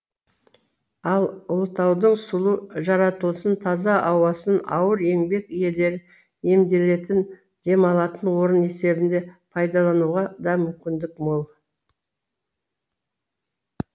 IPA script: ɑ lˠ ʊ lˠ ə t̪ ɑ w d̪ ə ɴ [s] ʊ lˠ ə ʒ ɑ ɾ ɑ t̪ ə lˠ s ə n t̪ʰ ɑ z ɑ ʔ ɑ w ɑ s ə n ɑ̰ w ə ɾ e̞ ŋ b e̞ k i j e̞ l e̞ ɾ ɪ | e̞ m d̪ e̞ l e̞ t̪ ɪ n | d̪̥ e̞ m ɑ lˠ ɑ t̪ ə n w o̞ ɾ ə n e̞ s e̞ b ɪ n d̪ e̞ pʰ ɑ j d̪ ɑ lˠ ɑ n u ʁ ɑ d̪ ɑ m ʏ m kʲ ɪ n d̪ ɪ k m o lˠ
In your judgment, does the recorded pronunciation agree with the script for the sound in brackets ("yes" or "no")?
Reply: yes